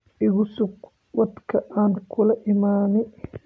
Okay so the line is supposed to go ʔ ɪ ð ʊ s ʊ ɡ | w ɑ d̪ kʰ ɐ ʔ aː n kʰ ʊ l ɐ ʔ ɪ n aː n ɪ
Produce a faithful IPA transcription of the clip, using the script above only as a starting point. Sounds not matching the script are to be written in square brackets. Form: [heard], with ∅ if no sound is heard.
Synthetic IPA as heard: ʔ ɪ [ɣ] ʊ s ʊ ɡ | w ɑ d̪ kʰ ɐ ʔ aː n kʰ ʊ l ɐ ʔ ɪ [m] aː n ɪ

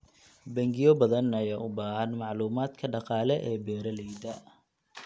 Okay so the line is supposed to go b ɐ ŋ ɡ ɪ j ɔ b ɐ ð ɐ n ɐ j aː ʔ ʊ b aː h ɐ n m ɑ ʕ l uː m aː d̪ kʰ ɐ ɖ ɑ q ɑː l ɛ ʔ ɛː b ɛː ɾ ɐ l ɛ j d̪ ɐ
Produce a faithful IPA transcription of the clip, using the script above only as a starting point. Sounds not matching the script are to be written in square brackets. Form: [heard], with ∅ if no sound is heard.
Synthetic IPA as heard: b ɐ ŋ ɡ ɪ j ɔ b ɐ ð ɐ n ɐ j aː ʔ ʊ b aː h ɐ n m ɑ ʕ l uː m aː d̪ kʰ ɐ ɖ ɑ q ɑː l ɛ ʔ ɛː b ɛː ɾ ɐ l ɛ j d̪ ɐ

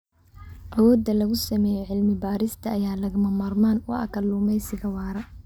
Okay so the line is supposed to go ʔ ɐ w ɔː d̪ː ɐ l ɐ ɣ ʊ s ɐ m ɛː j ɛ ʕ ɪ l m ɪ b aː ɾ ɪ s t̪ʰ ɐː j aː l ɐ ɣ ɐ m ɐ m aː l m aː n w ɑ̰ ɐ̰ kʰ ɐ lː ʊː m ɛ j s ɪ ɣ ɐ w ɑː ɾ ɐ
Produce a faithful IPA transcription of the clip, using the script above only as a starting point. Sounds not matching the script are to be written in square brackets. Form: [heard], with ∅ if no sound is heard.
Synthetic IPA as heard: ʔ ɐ w ɔː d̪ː ɐ l ɐ ɣ ʊ s ɐ m ɛː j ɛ ʕ ɪ l m ɪ b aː ɾ ɪ s t̪ʰ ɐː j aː l ɐ ɣ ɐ m ɐ m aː [r] m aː n w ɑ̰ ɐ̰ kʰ ɐ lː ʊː m ɛ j s ɪ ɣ ɐ w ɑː ɾ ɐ

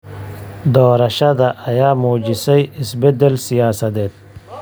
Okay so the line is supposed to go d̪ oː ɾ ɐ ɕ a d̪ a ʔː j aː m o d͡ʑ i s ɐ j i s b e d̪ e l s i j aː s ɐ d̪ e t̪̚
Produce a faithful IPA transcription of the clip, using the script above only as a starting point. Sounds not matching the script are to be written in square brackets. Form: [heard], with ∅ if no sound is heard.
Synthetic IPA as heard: d̪ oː ɾ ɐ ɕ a d̪ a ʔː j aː m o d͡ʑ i s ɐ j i s b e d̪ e l s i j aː s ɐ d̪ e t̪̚

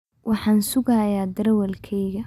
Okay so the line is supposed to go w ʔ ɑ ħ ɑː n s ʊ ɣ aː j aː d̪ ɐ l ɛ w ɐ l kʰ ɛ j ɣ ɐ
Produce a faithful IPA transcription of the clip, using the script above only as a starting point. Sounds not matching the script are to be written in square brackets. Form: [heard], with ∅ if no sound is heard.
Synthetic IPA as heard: w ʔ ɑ ħ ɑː n s ʊ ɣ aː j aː d̪ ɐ [ɾ] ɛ w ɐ l kʰ ɛ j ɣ ɐ

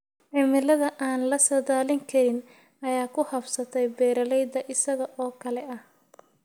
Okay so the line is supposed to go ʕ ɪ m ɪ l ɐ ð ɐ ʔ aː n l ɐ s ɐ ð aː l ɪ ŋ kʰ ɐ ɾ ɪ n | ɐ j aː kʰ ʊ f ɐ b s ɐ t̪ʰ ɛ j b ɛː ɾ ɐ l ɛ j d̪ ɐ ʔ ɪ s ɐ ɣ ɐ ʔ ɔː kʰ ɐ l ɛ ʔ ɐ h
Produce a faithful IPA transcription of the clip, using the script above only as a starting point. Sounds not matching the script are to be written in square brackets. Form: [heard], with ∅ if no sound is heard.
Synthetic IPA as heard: ʕ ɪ m ɪ l ɐ ð ɐ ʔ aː n l ɐ s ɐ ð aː l ɪ ŋ kʰ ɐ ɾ ɪ n | ɐ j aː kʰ ʊ [h] ɐ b s ɐ t̪ʰ ɛ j b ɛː ɾ ɐ l ɛ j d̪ ɐ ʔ ɪ s ɐ ɣ ɐ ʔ ɔː kʰ ɐ l ɛ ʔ ɐ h

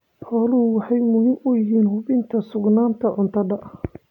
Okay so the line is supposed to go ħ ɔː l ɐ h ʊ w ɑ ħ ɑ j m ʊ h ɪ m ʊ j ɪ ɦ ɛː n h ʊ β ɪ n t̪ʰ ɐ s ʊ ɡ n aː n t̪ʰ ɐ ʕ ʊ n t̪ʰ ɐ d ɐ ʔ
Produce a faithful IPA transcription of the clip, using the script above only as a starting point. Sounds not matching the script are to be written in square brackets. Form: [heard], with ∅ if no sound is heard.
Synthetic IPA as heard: ħ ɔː l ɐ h ʊ w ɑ ħ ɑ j m ʊ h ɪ m ʊ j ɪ ɦ [iː] n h ʊ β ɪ n t̪ʰ ɐ s ʊ ɡ n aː n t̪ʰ ɐ ʕ ʊ n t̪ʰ ɐ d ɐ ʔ

